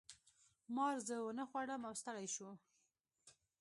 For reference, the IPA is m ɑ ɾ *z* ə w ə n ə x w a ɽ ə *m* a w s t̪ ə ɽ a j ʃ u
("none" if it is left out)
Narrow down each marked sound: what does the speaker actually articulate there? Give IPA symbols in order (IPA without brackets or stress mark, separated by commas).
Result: z, m